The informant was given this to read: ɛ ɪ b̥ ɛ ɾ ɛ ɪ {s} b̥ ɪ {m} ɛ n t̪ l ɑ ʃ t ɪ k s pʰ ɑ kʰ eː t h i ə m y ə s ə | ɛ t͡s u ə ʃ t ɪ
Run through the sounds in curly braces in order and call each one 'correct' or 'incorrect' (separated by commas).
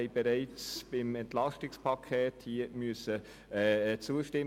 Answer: incorrect, correct